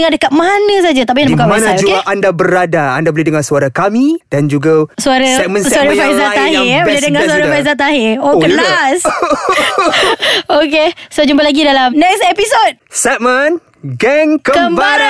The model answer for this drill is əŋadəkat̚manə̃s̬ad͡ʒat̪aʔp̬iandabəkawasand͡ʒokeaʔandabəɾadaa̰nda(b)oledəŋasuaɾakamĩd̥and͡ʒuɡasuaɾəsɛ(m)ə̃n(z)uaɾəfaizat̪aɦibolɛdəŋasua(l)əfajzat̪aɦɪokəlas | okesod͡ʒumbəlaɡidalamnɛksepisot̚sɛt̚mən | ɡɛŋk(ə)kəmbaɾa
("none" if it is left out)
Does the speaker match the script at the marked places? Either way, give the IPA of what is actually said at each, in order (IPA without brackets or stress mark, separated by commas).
b, m, s, ɾ, ə